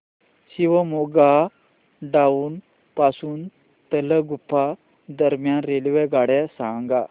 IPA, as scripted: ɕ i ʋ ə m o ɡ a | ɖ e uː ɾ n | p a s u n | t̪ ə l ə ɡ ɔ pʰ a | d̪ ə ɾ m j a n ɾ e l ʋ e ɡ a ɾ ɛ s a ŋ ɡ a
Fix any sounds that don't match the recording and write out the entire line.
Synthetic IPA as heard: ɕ i ʋ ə m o ɡ a | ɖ a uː n | p a s uː n | t̪ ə l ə ɡ u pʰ a | d̪ ə ɾ m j a n ɾ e l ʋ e ɡ a ɽ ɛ s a ŋ ɡ a